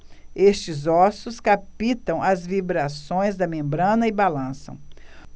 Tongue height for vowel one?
mid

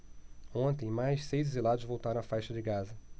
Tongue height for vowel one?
mid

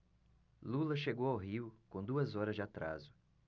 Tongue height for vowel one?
high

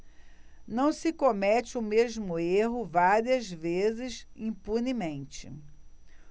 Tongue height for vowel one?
low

